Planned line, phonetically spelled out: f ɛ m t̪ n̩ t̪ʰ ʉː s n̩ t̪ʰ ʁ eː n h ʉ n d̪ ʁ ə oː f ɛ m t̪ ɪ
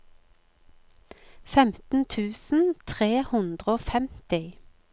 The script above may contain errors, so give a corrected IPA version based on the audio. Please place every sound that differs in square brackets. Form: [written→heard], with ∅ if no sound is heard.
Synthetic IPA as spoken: f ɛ m t̪ n̩ t̪ʰ ʉː s n̩ t̪ʰ ʁ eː [n→∅] h ʉ n d̪ ʁ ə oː f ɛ m t̪ ɪ